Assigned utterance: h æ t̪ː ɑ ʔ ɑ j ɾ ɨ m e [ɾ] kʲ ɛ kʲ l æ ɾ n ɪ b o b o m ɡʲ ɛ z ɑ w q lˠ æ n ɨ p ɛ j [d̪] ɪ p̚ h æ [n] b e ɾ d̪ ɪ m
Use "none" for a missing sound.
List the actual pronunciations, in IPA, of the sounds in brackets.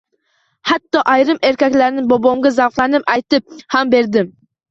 ɾ, t̪, m

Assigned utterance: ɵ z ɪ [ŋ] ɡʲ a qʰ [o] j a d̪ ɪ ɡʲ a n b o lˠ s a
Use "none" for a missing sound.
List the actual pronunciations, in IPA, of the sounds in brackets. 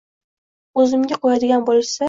m, o

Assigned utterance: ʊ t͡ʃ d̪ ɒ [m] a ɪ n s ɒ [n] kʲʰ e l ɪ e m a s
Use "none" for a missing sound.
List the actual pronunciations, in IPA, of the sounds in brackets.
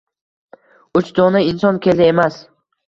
n, n

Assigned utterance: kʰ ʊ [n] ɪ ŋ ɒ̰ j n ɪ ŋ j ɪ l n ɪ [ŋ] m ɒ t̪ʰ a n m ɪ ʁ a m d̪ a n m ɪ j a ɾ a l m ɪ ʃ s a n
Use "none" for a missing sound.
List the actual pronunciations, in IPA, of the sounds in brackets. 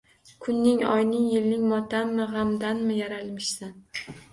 nː, ŋ

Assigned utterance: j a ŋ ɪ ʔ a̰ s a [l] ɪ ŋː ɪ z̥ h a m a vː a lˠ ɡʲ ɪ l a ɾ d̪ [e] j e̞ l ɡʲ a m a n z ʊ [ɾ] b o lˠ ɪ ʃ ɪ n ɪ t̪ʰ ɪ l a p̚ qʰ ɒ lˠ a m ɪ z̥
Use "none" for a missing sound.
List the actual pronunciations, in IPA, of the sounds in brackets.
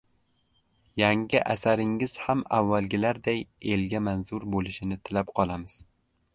ɾ, a, ɾ

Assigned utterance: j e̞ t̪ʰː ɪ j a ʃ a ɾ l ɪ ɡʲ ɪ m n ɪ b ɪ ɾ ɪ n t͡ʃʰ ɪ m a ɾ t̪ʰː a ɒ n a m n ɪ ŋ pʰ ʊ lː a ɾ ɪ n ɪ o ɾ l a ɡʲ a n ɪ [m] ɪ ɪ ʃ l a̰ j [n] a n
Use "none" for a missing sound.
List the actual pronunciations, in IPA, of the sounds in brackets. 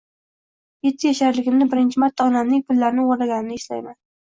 n, m

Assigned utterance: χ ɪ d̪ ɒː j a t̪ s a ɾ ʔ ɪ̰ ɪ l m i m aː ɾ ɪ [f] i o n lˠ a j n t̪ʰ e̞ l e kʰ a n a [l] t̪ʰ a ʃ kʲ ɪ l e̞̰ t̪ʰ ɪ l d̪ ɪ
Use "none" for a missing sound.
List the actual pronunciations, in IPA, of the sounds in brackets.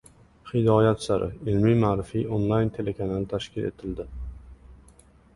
f, l

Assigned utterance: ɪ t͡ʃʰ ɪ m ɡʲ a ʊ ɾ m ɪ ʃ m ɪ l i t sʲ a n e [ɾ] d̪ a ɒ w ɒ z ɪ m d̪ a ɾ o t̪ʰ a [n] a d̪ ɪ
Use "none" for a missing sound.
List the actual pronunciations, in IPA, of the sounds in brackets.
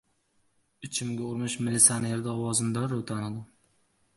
ɾ, n

